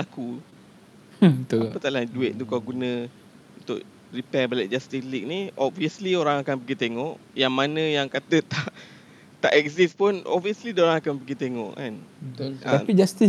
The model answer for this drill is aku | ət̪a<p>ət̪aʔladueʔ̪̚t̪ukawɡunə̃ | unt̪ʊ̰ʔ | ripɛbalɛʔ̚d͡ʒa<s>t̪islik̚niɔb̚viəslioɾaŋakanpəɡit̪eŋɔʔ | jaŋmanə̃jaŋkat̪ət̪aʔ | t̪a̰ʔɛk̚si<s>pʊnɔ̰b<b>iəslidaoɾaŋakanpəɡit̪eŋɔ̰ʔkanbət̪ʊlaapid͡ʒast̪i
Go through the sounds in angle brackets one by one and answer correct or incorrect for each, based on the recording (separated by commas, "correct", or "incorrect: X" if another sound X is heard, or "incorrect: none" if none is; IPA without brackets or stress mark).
correct, correct, correct, incorrect: v